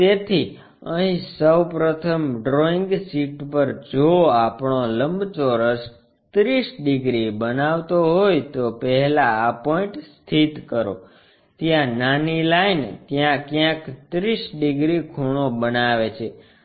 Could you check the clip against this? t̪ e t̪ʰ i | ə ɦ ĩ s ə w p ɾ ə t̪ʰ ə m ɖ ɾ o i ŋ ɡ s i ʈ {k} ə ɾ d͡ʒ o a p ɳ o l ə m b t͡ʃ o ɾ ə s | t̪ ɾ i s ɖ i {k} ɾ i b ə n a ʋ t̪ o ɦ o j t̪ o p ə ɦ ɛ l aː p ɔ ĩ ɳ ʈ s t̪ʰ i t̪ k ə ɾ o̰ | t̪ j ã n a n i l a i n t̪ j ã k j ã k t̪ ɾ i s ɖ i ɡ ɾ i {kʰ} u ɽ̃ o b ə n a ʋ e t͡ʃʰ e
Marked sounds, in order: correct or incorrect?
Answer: incorrect, incorrect, correct

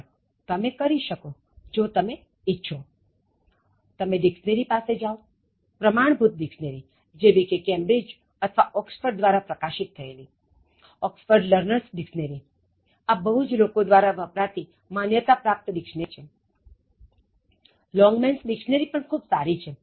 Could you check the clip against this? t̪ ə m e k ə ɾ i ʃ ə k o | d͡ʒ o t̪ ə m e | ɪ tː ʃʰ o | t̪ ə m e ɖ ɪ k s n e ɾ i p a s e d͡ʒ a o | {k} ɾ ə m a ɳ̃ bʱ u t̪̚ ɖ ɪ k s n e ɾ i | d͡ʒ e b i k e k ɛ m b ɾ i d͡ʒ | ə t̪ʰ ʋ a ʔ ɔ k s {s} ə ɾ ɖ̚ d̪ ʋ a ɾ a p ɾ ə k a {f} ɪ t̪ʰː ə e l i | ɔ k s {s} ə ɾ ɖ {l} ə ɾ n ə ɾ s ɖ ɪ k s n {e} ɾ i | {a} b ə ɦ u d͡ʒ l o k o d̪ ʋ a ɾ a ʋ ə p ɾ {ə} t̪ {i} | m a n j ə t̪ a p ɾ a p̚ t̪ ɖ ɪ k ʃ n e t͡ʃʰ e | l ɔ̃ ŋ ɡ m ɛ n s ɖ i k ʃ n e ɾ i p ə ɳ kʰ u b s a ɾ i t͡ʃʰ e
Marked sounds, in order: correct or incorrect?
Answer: incorrect, incorrect, incorrect, incorrect, correct, correct, correct, incorrect, correct

